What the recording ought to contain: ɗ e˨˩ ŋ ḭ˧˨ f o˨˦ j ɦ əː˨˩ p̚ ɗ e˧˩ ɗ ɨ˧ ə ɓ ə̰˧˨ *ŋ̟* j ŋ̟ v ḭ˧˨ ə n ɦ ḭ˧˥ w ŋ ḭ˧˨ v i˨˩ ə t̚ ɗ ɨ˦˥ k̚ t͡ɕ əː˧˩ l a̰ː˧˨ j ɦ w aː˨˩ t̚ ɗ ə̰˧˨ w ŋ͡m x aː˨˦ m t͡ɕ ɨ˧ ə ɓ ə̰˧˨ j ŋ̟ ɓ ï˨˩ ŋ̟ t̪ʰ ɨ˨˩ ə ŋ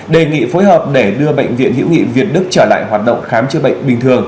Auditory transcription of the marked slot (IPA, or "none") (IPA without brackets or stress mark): none